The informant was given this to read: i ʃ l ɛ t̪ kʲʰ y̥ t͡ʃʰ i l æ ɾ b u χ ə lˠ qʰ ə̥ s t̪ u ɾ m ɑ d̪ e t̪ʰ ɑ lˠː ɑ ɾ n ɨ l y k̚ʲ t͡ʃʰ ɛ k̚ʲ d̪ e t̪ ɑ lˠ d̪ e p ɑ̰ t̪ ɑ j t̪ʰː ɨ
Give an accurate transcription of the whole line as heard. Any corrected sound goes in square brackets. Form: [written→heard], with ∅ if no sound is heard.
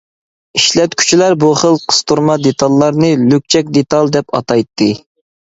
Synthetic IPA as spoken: i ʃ l ɛ t̪ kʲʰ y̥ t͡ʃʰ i l æ ɾ b u χ ə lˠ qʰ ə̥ s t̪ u ɾ m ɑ d̪ e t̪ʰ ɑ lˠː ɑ ɾ n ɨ l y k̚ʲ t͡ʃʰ ɛ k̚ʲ d̪ e t̪ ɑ lˠ d̪ [e→ɛ] p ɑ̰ t̪ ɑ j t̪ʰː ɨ